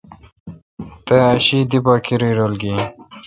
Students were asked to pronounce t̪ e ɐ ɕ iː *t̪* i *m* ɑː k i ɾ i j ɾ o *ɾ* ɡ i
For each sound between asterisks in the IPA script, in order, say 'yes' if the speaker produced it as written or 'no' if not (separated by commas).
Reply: no, no, no